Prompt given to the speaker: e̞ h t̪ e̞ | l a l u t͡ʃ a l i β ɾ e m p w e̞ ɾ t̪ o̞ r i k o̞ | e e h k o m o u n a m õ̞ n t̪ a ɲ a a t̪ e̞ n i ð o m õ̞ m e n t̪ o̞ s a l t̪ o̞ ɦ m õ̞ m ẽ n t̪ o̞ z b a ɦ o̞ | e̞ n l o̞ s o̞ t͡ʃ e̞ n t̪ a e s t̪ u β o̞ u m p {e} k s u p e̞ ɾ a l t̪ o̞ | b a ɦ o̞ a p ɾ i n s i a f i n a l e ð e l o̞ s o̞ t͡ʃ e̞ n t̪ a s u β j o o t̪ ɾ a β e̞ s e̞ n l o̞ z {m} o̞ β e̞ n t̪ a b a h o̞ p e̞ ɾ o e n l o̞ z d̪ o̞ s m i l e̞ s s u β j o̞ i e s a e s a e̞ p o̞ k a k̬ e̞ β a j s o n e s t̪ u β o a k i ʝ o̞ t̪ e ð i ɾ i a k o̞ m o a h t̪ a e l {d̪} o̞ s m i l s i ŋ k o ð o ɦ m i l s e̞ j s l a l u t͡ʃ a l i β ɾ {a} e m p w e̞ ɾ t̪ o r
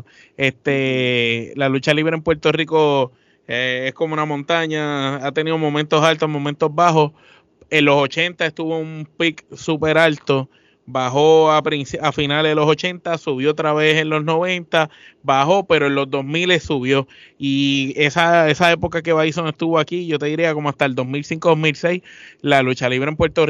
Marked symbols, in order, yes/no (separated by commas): no, no, yes, no